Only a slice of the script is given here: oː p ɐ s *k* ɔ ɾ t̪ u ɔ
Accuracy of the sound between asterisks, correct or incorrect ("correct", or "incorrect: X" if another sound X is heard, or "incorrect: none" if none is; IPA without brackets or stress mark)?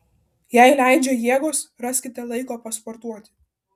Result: incorrect: p